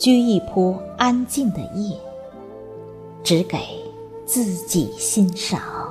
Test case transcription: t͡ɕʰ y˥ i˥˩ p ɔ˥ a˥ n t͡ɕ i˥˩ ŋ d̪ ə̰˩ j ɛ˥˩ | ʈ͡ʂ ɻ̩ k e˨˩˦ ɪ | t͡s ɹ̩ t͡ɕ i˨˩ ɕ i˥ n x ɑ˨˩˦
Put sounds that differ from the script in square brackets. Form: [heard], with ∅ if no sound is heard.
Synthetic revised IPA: [t͡ɕ] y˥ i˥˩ [pʰ] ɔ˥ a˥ n t͡ɕ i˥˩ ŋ d̪ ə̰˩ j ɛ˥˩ | ʈ͡ʂ ɻ̩ k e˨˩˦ ɪ | t͡s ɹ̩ t͡ɕ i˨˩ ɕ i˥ n [ʂ] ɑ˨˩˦